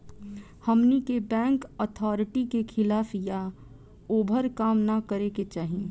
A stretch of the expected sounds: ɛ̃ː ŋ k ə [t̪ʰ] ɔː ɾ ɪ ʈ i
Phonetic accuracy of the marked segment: correct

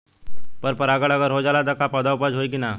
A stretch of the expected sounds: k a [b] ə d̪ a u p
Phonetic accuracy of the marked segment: incorrect: p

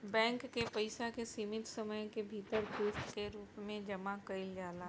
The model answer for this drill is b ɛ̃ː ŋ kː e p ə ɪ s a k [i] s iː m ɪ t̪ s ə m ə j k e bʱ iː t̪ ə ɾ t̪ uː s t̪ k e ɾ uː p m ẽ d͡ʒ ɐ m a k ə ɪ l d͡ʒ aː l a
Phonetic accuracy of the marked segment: incorrect: e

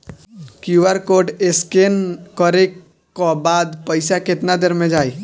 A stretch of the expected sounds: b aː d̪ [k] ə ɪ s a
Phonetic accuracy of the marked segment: incorrect: p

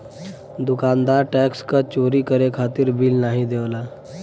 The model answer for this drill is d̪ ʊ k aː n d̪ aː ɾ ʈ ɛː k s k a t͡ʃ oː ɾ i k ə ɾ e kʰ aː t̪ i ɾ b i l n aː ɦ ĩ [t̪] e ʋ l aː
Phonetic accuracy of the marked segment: incorrect: d̪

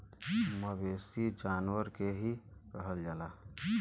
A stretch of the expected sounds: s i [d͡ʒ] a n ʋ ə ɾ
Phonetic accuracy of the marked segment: correct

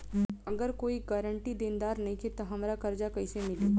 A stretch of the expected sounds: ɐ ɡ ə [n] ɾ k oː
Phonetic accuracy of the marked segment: incorrect: none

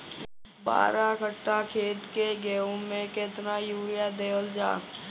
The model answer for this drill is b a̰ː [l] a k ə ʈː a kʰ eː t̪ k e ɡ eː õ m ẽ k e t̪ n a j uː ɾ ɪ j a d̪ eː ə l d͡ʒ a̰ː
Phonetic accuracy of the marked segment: incorrect: ɾ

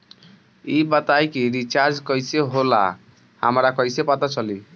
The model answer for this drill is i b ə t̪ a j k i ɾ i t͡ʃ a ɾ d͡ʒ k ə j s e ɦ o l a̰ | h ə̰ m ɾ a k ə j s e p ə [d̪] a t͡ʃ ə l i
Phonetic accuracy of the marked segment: incorrect: t̪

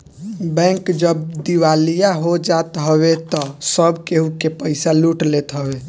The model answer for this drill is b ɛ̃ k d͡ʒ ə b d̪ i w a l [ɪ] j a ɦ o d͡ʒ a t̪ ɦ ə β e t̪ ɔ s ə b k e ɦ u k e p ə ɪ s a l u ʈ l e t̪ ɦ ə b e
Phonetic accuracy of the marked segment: incorrect: i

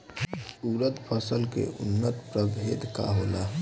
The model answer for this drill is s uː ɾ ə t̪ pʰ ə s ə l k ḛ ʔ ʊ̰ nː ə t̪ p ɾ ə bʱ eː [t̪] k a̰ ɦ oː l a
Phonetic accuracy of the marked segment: incorrect: d̪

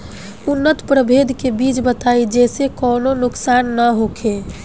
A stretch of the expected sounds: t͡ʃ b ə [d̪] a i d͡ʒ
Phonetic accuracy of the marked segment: incorrect: t̪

